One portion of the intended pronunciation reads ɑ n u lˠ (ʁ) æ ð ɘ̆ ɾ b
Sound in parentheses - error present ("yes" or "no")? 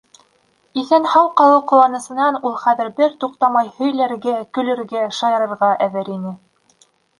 yes